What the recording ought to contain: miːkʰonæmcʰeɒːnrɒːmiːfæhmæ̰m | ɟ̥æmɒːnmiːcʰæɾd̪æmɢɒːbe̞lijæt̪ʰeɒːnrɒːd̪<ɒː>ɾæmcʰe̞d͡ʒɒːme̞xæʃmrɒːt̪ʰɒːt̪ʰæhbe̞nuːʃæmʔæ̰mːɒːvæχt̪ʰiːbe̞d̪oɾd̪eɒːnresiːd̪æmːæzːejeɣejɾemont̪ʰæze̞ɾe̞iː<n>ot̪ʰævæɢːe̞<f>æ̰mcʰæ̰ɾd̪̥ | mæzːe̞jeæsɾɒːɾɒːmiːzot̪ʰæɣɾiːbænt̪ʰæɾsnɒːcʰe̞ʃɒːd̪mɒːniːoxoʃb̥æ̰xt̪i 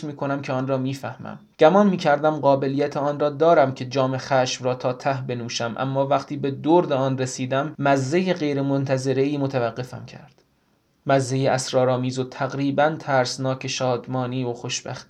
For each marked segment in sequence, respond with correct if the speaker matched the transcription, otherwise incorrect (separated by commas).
correct, incorrect, correct